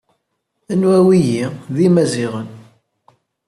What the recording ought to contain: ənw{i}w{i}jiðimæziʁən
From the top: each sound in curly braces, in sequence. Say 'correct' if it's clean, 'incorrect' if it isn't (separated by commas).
incorrect, correct